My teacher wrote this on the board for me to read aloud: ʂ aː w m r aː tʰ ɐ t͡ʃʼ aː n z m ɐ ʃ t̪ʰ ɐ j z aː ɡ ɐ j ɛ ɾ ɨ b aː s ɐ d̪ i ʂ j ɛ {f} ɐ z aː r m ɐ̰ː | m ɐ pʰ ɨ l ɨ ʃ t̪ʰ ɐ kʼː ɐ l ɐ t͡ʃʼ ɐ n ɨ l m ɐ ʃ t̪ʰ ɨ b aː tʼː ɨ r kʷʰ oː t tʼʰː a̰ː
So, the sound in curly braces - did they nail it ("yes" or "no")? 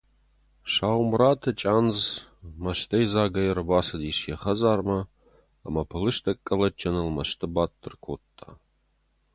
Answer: no